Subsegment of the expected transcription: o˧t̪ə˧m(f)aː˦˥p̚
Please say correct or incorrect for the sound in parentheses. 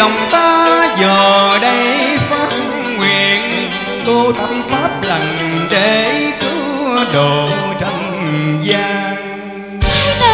correct